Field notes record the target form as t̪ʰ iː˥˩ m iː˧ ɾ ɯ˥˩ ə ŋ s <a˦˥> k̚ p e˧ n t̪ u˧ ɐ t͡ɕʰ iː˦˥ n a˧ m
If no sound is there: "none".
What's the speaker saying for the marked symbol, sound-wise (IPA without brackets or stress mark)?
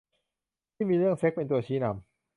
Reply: e˦˥